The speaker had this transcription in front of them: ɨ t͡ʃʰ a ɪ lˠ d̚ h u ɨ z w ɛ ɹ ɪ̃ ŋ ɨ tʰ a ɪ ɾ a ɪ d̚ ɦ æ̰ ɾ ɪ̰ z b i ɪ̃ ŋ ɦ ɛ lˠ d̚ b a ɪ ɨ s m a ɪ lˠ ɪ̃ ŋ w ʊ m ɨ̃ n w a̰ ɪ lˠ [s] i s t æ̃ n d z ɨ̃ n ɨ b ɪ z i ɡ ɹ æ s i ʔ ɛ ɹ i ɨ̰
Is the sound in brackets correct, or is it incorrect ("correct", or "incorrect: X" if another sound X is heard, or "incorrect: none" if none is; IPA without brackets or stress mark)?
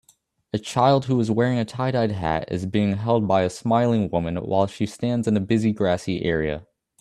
incorrect: ʃ